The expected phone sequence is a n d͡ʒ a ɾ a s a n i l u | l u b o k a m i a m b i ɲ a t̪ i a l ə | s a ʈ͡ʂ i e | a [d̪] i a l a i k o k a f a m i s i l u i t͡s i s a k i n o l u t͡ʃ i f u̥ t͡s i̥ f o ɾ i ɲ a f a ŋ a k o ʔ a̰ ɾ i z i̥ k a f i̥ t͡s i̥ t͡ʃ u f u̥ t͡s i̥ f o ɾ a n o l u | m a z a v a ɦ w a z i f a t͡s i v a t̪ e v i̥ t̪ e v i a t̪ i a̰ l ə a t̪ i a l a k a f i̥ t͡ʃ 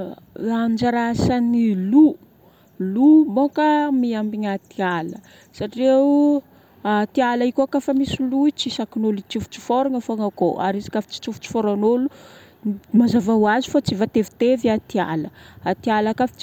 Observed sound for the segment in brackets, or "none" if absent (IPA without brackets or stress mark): t̪